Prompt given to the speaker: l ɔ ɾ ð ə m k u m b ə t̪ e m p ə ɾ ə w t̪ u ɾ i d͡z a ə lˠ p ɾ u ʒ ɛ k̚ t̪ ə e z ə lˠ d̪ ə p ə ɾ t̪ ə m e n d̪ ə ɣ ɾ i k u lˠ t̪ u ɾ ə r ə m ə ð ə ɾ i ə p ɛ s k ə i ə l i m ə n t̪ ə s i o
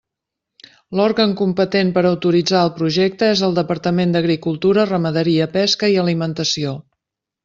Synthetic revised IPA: l ɔ ɾ ɣ ə ŋ k u m p ə t̪ e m p ə ɾ ə w t̪ u ɾ i d͡z a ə lˠ p ɾ u ʒ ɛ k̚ t̪ ə e z ə lˠ d̪ ə p ə ɾ t̪ ə m e n d̪ ə ɣ ɾ i k u lˠ t̪ u ɾ ə r ə m ə ð ə ɾ i ə p ɛ s k ə i ə l i m ə n t̪ ə s i o